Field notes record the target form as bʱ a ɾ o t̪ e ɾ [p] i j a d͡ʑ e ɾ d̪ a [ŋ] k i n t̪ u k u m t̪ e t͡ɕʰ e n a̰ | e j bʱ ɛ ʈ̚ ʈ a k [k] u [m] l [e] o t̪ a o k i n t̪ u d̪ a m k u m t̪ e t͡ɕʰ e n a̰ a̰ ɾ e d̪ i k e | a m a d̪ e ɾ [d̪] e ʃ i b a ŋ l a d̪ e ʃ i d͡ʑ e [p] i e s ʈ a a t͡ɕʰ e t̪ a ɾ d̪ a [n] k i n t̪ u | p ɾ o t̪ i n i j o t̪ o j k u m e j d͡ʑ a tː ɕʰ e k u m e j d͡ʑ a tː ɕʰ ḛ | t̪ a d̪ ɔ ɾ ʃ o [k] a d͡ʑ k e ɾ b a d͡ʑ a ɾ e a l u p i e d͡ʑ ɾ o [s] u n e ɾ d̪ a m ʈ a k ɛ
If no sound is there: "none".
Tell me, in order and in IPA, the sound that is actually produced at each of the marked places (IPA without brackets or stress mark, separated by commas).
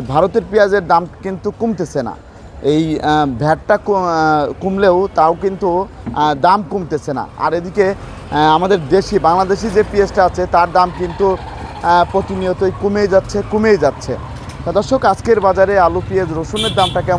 p, m, k, m, e, d̪, p, m, k, ʃ